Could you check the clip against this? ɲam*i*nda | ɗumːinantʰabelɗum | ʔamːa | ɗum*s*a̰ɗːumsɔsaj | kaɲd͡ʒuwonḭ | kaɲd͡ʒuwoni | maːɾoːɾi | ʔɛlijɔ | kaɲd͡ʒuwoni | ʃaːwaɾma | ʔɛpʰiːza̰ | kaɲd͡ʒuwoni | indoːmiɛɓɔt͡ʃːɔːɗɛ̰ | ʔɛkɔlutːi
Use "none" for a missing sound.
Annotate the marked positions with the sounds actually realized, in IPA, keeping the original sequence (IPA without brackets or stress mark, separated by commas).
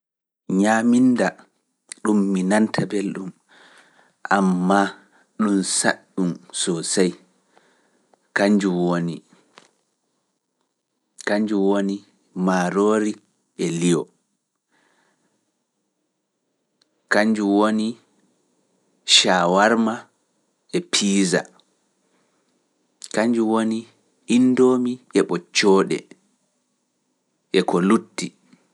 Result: i, s